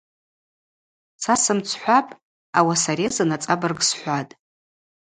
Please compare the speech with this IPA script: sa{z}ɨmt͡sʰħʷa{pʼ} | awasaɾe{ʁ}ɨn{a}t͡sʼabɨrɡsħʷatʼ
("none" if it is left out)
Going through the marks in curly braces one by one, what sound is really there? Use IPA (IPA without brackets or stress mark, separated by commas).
s, pʼ, z, a